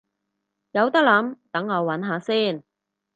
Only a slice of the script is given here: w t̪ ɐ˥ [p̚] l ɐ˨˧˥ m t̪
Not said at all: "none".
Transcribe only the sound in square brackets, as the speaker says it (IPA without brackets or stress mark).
k̚